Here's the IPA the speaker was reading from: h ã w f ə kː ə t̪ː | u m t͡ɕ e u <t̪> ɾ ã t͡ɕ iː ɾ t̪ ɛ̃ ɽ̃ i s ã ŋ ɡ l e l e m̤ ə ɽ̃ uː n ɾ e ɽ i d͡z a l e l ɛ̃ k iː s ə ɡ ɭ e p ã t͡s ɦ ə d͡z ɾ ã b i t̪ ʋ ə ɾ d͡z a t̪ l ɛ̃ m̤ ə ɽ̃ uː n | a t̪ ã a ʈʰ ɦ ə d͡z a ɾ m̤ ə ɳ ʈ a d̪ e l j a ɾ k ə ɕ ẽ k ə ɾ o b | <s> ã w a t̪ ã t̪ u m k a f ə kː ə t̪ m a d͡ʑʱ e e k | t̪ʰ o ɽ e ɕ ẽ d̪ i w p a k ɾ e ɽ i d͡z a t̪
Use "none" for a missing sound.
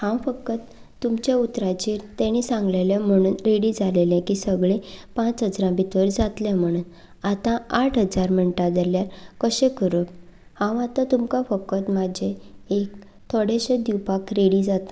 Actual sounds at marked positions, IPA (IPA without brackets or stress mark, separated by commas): t̪, h